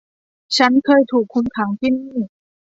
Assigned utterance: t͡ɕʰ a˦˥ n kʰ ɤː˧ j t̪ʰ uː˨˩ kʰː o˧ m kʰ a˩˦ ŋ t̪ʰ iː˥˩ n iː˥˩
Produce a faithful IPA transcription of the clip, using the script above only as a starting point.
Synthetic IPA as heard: t͡ɕʰ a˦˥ n kʰ ɤː˧ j t̪ʰ uː˨˩ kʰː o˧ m kʰ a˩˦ ŋ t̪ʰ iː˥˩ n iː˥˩